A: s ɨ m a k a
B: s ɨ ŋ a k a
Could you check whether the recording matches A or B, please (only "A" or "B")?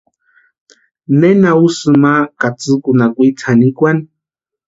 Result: A